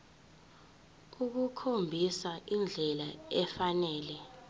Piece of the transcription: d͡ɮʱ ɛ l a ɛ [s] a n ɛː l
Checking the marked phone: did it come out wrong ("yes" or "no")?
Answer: yes